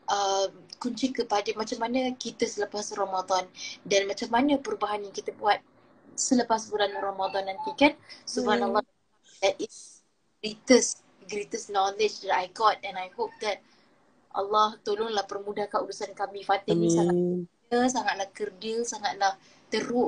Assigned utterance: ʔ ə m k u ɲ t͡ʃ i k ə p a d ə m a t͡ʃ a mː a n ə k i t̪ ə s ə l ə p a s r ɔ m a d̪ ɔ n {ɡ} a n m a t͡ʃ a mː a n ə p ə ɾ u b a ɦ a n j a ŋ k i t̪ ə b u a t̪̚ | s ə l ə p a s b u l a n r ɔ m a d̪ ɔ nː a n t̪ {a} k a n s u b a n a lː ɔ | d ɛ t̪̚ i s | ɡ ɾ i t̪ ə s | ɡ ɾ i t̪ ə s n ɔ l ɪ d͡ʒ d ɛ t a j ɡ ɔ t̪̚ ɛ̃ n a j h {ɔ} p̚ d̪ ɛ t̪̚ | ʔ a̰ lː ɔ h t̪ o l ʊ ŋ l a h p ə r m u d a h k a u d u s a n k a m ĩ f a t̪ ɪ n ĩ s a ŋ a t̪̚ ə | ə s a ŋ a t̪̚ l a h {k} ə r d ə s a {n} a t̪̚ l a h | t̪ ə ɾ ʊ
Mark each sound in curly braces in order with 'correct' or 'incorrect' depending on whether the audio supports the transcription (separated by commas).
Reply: incorrect, incorrect, incorrect, correct, incorrect